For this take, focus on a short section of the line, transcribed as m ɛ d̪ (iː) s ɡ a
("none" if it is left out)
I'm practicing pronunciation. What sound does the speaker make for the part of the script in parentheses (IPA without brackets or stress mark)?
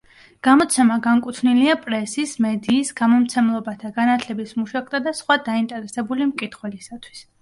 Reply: iː